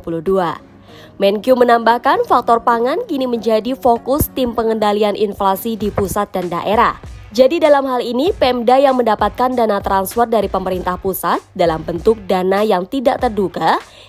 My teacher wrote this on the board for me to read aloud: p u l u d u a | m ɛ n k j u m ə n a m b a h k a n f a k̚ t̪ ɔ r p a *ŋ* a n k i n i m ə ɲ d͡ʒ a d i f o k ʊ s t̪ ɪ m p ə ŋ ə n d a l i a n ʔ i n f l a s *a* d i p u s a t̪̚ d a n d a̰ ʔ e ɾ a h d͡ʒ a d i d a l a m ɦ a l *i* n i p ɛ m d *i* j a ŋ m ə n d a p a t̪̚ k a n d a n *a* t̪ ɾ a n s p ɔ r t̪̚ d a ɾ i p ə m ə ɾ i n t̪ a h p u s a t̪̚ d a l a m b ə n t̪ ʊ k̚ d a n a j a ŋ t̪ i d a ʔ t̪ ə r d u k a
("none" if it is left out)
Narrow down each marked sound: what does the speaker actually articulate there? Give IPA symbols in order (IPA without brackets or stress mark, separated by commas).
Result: ŋ, i, i, a, a